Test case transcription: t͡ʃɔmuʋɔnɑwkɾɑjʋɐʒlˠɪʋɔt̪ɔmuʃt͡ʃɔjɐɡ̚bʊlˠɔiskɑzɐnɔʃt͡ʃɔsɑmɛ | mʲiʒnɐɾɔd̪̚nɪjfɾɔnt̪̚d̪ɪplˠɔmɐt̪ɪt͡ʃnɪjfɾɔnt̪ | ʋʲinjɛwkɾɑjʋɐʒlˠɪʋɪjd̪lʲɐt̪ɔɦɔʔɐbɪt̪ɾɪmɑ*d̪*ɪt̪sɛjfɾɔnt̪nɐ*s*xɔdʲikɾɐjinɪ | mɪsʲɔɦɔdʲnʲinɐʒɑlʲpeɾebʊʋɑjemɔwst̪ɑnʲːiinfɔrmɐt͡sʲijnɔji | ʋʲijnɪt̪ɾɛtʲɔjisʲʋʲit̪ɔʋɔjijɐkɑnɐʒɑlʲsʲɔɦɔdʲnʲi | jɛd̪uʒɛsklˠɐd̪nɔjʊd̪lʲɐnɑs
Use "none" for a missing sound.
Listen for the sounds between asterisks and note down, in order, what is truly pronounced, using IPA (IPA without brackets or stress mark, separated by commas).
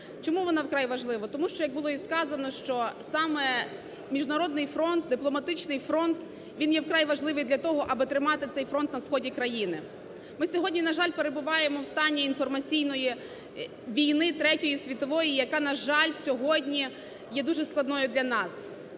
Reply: t̪, s